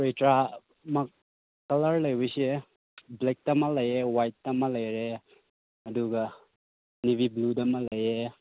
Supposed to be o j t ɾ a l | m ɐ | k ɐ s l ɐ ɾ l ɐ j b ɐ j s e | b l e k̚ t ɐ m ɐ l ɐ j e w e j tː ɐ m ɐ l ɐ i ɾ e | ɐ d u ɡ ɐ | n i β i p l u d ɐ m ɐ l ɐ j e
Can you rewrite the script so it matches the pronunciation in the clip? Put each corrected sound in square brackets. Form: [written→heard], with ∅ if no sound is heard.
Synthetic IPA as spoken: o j t ɾ a [l→∅] | m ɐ | k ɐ [s→∅] l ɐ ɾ l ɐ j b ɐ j s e | b l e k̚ t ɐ m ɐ l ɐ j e w [e→a] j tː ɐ m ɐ l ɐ [i→j] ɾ e | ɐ d u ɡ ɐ | n i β i [p→b] l u d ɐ m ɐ l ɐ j e

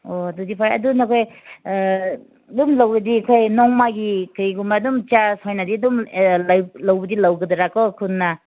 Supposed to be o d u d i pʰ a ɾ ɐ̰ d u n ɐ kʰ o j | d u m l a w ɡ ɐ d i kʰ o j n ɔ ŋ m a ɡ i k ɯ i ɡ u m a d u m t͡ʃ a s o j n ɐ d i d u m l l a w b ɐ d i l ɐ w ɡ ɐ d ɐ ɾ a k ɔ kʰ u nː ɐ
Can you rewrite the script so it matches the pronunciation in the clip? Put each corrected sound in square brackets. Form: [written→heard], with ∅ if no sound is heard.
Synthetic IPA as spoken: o d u d i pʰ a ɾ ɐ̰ d u n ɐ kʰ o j | d u m l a w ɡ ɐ d i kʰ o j n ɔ ŋ m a ɡ i k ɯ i ɡ u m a d u m t͡ʃ a s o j n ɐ d i d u m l l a w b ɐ d i l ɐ w ɡ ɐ d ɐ ɾ a k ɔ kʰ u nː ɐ

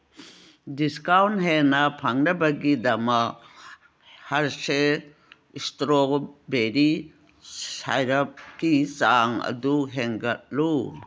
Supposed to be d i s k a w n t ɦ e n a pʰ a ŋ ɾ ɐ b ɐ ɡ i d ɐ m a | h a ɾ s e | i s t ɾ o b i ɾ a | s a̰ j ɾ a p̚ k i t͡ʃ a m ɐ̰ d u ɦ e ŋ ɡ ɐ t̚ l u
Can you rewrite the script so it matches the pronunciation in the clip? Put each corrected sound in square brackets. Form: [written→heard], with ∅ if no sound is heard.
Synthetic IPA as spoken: d i s k a w n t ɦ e n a pʰ a ŋ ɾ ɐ b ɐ ɡ i d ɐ m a | h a ɾ s e | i s t ɾ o b [i→e] ɾ [a→i] | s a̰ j ɾ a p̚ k i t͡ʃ a [m→ŋ] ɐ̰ d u ɦ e ŋ ɡ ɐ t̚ l u

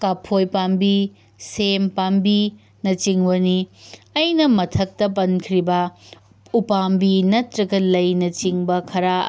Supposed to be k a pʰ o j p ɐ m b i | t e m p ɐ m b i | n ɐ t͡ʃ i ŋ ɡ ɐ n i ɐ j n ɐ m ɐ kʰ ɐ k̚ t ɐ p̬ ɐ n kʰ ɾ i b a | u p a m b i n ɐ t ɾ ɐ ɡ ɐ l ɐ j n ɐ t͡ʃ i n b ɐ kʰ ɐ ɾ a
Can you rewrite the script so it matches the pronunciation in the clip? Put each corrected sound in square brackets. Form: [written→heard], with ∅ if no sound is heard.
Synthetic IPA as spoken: k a pʰ o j p [ɐ→a] m b i | [t→s] e m p [ɐ→a] m b i | n ɐ t͡ʃ i ŋ [ɡ→b] ɐ n i ɐ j n ɐ m ɐ [kʰ→tʰ] ɐ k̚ t ɐ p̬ ɐ n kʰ ɾ i b [a→ɐ] | u p a m b i n ɐ t ɾ ɐ ɡ ɐ l ɐ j n ɐ t͡ʃ i [n→ŋ] b ɐ kʰ ɐ ɾ a

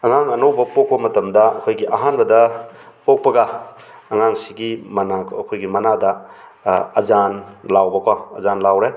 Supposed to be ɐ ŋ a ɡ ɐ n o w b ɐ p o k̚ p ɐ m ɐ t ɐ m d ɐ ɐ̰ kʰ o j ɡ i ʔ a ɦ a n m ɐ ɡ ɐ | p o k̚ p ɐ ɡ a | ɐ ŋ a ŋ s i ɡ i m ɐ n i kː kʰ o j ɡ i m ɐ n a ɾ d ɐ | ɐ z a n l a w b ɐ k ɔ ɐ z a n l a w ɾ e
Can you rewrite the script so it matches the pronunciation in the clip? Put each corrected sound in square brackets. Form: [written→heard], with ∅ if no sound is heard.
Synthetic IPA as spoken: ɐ ŋ a [ɡ→ŋ] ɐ n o w b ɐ p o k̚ p ɐ m ɐ t ɐ m d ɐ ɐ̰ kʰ o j ɡ i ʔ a ɦ a n [m→b] ɐ [ɡ→d] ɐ | p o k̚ p ɐ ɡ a | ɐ ŋ a ŋ s i ɡ i m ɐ n [i→a] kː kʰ o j ɡ i m ɐ n a [ɾ→∅] d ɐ | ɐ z a n l a w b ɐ k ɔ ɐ z a n l a w ɾ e

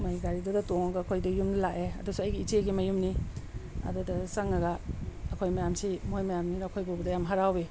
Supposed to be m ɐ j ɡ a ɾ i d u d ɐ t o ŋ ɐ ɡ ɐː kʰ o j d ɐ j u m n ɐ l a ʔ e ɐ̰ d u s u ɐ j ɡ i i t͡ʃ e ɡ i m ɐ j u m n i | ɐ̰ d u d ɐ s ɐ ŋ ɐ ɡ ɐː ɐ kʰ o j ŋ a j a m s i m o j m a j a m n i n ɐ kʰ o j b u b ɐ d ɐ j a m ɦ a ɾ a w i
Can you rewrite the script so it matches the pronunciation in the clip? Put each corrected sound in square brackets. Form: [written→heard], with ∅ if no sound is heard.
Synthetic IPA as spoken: m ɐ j ɡ a ɾ i d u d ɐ t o ŋ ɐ ɡ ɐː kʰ o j d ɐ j u m n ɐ l a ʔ e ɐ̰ d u s u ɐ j ɡ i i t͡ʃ e ɡ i m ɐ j u m n i | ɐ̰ d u d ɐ s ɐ ŋ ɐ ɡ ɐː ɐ kʰ o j [ŋ→m] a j a m s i m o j m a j a m n i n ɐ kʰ o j b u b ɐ d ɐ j a m ɦ a ɾ a w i

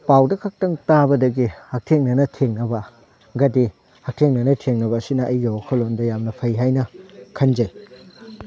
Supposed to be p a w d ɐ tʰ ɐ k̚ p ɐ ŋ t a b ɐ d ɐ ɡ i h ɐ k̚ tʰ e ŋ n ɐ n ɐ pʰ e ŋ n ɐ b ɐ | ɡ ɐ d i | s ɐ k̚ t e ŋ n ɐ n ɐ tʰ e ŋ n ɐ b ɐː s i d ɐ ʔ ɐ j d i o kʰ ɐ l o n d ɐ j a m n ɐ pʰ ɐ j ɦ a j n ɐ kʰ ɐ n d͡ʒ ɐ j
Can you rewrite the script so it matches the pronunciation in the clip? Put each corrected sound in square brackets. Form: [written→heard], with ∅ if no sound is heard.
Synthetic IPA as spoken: p a w d ɐ [tʰ→kʰ] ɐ k̚ [p→t] ɐ ŋ t a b ɐ d ɐ ɡ i h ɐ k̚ tʰ e ŋ n ɐ n ɐ [pʰ→tʰ] e ŋ n ɐ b ɐ | ɡ ɐ d i | [s→h] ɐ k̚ [t→tʰ] e ŋ n ɐ n ɐ tʰ e ŋ n ɐ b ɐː s i [d→n] ɐ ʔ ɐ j [d→ɡ] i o kʰ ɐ l o n d ɐ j a m n ɐ pʰ ɐ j ɦ a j n ɐ kʰ ɐ n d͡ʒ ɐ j

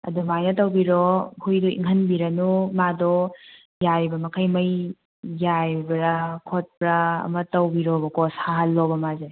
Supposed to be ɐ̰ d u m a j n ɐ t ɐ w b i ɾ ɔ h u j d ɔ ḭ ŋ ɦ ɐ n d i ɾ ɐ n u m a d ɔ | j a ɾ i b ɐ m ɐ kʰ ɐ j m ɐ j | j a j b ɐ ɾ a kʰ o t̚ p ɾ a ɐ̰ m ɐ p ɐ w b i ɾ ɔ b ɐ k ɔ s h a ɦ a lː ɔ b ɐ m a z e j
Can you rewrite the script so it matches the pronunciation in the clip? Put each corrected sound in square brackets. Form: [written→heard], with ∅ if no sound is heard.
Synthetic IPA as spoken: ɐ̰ d u m a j n ɐ t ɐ w b i ɾ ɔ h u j d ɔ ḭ ŋ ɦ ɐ n [d→b] i ɾ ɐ n u m a d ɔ | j a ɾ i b ɐ m ɐ kʰ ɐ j m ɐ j | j a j b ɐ ɾ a kʰ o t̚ p ɾ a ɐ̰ m ɐ [p→t] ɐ w b i ɾ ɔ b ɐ k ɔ s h a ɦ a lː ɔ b ɐ m a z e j

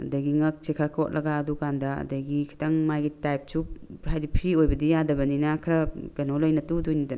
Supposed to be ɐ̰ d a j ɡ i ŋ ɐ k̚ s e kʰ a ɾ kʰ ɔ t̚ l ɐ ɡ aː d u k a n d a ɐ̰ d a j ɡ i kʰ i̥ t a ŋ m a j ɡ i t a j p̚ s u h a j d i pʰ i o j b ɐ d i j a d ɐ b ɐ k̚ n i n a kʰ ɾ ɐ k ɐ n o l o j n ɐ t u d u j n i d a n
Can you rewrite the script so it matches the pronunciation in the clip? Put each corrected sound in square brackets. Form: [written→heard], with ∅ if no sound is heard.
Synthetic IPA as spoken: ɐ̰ d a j ɡ i ŋ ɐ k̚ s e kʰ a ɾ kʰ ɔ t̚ l ɐ ɡ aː d u k a n d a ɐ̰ d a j ɡ i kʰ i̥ t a ŋ m a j ɡ i t a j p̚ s u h a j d i pʰ i o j b ɐ d i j a d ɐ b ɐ [k̚→∅] n i n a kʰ ɾ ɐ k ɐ n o l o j n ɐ t u d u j n i d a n

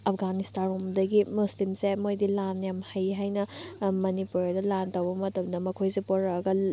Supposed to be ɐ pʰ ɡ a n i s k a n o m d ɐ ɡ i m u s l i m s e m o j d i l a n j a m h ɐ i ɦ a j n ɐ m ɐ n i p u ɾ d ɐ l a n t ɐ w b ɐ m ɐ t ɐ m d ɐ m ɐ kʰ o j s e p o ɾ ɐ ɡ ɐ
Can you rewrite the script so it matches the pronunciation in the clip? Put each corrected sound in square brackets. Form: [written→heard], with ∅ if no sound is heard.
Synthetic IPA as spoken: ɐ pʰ ɡ a n i s [k→t] a n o m d ɐ ɡ i m u s l i m s e m o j d i l a n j a m h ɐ [i→j] ɦ a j n ɐ m ɐ n i p u ɾ d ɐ l a n t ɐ w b ɐ m ɐ t ɐ m d ɐ m ɐ kʰ o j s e p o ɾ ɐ ɡ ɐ

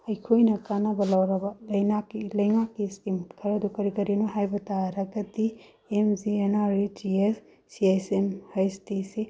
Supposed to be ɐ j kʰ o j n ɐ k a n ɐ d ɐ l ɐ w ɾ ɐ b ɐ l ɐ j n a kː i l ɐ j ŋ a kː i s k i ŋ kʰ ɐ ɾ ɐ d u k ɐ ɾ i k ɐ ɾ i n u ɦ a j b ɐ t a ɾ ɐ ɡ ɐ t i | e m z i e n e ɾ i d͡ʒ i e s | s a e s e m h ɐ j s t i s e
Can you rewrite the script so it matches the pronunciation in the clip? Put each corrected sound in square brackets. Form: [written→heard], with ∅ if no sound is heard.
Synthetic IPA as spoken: ɐ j kʰ o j n ɐ k a n ɐ [d→b] ɐ l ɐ w ɾ ɐ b ɐ l ɐ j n a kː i l ɐ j ŋ a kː i s k i [ŋ→m] kʰ ɐ ɾ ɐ d u k ɐ ɾ i k ɐ ɾ i n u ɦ a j b ɐ t a ɾ ɐ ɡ ɐ t i | e m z i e n [e→a] ɾ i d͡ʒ i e s | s [a→i] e s e m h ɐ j s t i s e

